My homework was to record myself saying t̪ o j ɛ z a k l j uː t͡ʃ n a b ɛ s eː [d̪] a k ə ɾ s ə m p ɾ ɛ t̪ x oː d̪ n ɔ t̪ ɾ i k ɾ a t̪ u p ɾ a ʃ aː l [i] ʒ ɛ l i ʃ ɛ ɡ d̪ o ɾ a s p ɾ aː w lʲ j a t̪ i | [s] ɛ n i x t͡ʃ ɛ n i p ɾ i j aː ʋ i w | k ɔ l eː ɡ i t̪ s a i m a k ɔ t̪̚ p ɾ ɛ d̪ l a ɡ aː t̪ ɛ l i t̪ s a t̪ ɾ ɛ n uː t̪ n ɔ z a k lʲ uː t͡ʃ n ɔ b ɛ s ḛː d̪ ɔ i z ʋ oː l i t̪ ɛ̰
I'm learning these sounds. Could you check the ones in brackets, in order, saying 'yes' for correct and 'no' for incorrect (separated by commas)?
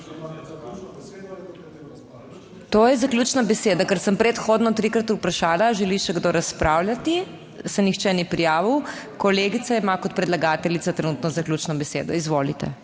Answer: yes, no, yes